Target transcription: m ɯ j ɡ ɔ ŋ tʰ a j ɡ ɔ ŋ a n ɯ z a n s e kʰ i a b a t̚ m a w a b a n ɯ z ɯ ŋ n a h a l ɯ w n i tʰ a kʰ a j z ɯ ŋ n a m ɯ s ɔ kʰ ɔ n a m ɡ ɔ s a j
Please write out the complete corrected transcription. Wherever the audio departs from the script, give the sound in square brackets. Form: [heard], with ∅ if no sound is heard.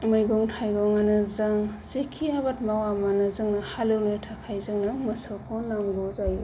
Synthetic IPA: m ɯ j ɡ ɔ ŋ tʰ a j ɡ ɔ ŋ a n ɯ z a [ŋ] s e kʰ i a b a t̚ m a w a [m] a n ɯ z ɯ ŋ n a h a l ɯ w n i tʰ a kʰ a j z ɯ ŋ n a m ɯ s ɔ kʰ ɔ n a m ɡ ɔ [z] a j